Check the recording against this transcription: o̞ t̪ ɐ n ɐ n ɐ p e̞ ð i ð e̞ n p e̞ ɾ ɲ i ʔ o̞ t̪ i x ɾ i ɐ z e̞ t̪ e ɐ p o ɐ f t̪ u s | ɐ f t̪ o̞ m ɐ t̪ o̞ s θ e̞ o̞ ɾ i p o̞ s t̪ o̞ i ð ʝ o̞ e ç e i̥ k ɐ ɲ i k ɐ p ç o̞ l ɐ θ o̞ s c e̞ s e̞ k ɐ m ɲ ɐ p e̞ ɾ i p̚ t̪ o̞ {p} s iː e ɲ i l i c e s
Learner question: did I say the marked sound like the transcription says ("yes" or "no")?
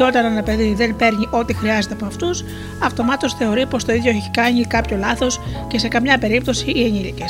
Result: no